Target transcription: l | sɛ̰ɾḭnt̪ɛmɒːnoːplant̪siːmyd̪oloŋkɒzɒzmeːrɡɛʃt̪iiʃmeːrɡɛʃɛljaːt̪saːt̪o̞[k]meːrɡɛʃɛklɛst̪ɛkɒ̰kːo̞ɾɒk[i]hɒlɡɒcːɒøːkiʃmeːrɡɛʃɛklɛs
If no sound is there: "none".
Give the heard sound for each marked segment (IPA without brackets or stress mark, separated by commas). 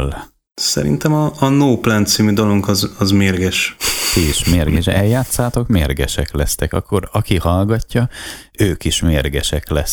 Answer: k, i